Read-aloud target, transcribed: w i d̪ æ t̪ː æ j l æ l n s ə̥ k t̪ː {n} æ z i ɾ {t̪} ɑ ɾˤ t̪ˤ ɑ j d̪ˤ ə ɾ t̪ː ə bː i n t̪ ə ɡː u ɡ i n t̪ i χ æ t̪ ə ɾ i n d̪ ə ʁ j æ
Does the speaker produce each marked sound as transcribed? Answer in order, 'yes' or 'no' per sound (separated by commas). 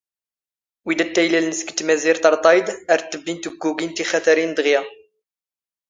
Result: no, yes